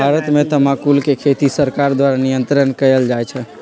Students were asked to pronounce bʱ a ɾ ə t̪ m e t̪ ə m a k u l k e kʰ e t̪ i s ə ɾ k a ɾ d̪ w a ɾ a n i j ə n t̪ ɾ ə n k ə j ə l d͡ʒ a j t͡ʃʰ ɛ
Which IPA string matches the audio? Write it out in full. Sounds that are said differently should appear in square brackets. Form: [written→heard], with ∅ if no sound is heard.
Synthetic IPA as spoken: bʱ a ɾ ə t̪ m e t̪ ə m a k u l k e kʰ e t̪ i s ə ɾ k a ɾ d̪ w a ɾ a n i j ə n t̪ ɾ ə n k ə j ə l d͡ʒ a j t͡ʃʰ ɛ